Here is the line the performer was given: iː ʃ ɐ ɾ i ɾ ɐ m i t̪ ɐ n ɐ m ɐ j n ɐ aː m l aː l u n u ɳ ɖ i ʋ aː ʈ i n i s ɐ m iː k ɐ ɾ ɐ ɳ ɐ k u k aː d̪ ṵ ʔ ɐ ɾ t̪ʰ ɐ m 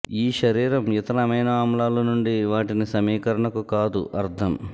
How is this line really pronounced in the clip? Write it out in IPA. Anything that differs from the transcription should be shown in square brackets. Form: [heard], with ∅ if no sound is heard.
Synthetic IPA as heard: iː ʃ ɐ ɾ [iː] ɾ ɐ m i t̪ ɐ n ɐ m ɐ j n ɐ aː m l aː l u n u ɳ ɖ i ʋ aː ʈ i n i s ɐ m iː k ɐ ɾ ɐ ɳ ɐ k u k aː d̪ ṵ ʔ ɐ ɾ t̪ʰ ɐ m